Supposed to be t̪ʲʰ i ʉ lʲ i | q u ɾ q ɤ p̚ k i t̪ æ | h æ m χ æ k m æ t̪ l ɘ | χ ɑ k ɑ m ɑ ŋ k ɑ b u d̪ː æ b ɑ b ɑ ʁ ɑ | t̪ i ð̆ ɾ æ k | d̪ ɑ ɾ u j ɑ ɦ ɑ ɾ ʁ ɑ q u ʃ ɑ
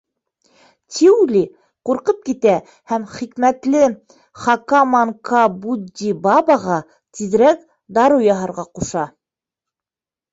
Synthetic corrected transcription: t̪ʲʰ i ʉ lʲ i | q u ɾ q ɤ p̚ k i t̪ æ | h æ m χ i k m æ t̪ l ɘ | χ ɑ k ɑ m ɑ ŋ k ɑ b u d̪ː i b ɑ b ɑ ʁ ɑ | t̪ i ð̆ ɾ æ k | d̪ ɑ ɾ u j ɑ ɦ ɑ ɾ ʁ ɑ q u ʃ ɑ

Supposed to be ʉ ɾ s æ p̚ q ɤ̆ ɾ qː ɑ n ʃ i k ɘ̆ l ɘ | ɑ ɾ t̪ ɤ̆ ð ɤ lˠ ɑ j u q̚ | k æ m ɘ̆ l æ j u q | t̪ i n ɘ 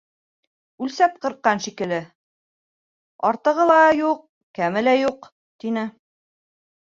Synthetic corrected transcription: ʉ l s æ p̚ q ɤ̆ ɾ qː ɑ n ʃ i k ɘ̆ l ɘ | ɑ ɾ t̪ ɤ̆ ʁ ɤ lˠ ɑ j u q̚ | k æ m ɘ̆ l æ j u q | t̪ i n ɘ

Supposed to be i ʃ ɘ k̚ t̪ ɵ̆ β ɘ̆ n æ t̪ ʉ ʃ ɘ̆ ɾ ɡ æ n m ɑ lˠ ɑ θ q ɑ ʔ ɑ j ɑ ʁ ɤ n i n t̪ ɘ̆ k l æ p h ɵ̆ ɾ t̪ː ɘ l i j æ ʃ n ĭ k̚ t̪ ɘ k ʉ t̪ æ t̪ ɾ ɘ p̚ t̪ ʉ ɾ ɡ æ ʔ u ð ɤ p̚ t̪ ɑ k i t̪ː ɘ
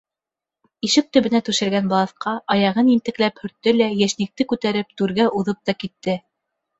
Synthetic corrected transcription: i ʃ ɘ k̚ t̪ ɵ̆ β ɘ̆ n æ t̪ ʉ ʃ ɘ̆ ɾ ɡ æ n b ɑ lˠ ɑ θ q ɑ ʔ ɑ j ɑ ʁ ɤ n i n t̪ ɘ̆ k l æ p h ɵ̆ ɾ t̪ː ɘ l æ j æ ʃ n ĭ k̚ t̪ ɘ k ʉ t̪ æ ɾ ɘ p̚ t̪ ʉ ɾ ɡ æ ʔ u ð ɤ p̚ t̪ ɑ k i t̪ː ɘ

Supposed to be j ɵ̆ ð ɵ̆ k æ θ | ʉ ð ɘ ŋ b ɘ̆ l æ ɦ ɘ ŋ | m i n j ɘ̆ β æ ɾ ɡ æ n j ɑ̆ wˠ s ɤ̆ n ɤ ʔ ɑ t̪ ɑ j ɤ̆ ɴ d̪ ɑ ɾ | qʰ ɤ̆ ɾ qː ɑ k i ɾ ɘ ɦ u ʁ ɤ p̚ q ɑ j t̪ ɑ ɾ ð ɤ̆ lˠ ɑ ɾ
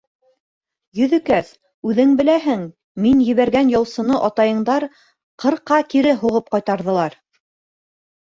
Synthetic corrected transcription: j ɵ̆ ð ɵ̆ k æ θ | ʉ ð ɘ ŋ b ɘ̆ l æ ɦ ɘ ŋ | m i n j ɘ̆ β æ ɾ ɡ æ n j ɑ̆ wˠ s ɤ̆ n ɤ ʔ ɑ t̪ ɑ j ɤ̆ ɴ d̪ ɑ ɾ | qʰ ɤ̆ ɾ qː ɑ k i ɾ ɘ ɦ u ʁ ɤ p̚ q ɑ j t̪ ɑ ɾ ð ɤ̆ lˠ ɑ ɾ

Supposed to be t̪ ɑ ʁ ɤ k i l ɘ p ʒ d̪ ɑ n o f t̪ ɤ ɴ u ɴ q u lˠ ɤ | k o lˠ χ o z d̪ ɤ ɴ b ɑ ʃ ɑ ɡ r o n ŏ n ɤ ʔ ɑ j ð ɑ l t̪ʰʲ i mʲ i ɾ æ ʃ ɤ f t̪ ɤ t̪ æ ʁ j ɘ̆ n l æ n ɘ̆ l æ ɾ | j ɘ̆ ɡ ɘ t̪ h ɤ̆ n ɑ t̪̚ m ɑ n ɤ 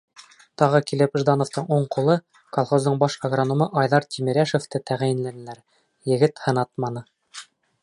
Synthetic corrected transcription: t̪ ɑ ʁ ɤ k i l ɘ p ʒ d̪ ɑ n o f t̪ ɤ ɴ u ɴ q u lˠ ɤ | k o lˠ χ o z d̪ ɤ ɴ b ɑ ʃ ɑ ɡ r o n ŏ m ɤ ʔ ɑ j ð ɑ ɾ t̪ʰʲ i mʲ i ɾ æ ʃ o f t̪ ɤ t̪ æ ʁ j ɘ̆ n l æ n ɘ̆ l æ ɾ | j ɘ̆ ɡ ɘ t̪ h ɤ̆ n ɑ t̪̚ m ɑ n ɤ

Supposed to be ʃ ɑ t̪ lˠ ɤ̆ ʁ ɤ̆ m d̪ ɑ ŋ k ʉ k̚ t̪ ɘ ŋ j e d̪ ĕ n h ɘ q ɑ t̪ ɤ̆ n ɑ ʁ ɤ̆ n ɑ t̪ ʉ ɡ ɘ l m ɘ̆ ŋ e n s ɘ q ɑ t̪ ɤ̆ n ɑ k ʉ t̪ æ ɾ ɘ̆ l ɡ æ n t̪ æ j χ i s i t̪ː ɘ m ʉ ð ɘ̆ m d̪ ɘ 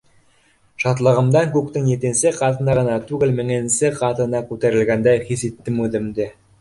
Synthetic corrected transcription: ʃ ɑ t̪ lˠ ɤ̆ ʁ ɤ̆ m d̪ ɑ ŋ k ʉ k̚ t̪ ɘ ŋ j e t̪ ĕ n s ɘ q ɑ t̪ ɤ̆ n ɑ ʁ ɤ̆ n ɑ t̪ ʉ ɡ ɘ l m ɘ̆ ŋ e n s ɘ q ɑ t̪ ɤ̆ n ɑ k ʉ t̪ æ ɾ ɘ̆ l ɡ æ n d̪ æ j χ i s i t̪ː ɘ m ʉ ð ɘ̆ m d̪ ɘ

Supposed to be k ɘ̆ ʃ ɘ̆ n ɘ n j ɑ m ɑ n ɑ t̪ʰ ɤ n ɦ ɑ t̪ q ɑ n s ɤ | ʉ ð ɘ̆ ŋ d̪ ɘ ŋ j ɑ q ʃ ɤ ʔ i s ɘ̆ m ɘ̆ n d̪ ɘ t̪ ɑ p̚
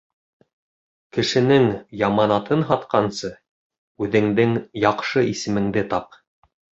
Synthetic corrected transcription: k ɘ̆ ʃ ɘ̆ n ɘ ŋ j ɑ m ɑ n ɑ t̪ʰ ɤ n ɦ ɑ t̪ q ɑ n s ɤ | ʉ ð ɘ̆ ŋ d̪ ɘ ŋ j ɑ q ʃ ɤ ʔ i s ɘ̆ m ɘ̆ ŋ d̪ ɘ t̪ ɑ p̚

